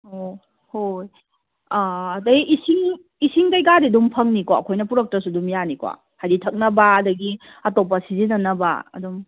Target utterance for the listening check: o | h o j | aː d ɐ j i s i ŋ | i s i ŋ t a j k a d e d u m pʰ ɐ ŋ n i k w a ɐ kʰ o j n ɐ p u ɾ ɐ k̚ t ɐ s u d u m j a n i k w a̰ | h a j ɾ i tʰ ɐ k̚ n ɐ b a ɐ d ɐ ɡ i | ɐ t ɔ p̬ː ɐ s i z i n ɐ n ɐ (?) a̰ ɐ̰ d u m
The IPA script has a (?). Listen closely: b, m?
b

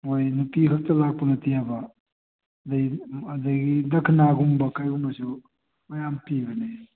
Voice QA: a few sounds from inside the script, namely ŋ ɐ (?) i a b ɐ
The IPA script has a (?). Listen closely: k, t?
t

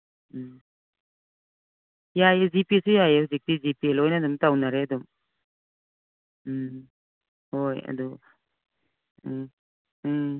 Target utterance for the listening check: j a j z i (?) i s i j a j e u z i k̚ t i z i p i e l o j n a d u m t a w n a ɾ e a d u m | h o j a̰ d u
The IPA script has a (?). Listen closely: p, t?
p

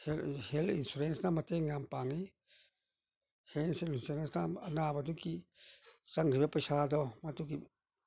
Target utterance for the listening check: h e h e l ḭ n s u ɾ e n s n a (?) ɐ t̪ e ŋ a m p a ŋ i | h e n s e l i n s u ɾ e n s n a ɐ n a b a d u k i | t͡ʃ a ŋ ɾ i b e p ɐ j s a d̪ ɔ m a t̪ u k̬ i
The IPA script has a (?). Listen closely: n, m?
m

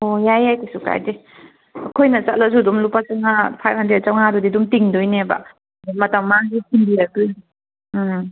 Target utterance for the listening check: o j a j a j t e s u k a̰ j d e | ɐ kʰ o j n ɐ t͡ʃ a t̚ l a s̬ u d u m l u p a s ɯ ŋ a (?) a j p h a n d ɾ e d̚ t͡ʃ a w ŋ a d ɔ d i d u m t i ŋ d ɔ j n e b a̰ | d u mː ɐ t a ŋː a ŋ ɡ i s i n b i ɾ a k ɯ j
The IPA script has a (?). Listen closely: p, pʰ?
pʰ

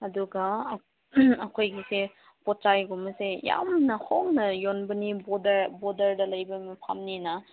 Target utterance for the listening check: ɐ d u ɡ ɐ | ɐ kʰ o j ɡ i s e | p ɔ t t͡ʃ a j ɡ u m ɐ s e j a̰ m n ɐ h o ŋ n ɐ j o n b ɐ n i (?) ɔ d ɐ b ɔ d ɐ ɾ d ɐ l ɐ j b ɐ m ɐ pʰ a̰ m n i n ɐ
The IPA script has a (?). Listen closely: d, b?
b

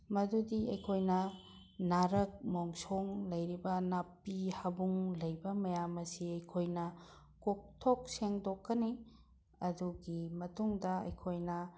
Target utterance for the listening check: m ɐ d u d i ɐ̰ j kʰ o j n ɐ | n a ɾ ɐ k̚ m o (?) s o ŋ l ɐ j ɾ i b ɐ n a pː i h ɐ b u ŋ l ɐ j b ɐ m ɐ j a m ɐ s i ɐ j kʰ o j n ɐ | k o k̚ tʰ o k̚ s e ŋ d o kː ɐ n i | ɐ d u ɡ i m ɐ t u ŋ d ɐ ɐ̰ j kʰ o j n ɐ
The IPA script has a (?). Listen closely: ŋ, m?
ŋ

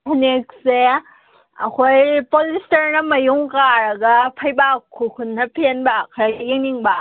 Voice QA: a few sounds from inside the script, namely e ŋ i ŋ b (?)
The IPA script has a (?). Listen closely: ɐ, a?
a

